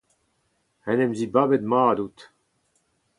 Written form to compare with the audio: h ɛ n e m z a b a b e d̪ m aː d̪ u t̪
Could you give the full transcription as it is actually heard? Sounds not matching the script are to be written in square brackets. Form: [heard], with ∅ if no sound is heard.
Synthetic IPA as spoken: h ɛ n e m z [i] b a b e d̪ m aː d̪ u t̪